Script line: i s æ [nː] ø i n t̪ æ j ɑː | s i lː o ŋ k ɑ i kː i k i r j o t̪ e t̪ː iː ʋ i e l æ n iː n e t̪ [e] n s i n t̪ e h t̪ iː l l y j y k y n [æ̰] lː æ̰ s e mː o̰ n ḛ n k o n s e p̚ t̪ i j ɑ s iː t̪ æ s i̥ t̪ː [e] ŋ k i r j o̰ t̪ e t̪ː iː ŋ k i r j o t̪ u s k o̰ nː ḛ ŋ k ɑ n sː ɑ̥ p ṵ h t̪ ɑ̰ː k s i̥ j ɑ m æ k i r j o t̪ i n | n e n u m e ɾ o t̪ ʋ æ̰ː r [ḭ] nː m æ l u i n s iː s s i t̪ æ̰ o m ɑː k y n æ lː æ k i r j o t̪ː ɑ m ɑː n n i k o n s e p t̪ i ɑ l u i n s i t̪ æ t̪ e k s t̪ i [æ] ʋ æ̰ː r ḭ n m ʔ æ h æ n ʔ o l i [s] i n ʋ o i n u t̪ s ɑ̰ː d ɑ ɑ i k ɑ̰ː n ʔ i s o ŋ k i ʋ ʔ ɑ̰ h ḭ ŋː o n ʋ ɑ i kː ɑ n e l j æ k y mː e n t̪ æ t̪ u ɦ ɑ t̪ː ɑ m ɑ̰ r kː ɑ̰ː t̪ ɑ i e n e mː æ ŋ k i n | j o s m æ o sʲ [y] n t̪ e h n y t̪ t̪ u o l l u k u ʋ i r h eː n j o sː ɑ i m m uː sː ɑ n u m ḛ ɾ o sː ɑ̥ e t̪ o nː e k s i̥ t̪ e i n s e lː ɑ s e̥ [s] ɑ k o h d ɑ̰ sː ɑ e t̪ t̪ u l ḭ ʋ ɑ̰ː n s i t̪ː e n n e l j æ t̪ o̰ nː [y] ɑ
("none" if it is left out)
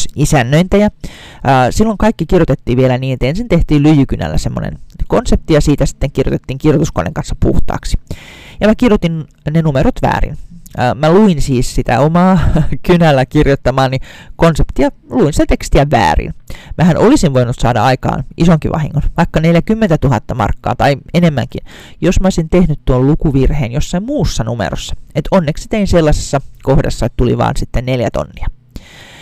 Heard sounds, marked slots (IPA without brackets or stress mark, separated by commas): nː, e, æ̰, e, ḭ, æ, s, i, sː, i